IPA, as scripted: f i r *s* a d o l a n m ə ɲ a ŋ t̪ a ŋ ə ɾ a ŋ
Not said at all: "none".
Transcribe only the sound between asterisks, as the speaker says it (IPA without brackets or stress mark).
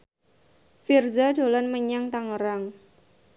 z